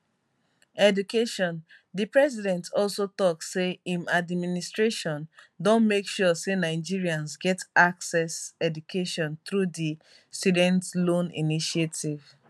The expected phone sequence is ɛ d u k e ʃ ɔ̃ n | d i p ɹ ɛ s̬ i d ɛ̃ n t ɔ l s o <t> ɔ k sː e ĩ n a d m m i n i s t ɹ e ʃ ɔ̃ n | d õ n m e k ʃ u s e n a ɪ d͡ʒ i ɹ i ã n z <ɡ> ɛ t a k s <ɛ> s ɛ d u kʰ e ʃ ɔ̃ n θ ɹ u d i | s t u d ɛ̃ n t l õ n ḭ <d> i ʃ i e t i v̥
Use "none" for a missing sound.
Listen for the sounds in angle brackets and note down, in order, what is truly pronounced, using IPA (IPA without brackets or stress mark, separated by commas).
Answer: t, ɡ, ɛ, n